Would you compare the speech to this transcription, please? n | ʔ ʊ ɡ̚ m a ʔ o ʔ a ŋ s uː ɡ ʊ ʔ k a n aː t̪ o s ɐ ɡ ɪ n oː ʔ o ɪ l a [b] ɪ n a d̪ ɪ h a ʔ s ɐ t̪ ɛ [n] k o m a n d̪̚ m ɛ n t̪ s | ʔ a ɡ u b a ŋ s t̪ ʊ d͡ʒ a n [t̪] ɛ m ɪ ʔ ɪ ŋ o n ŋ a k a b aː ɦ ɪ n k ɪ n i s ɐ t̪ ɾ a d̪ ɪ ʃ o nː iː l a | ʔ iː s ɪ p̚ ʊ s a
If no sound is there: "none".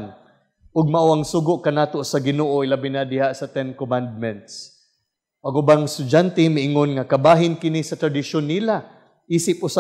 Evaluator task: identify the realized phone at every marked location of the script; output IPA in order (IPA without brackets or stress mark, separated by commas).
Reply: b, n, t̪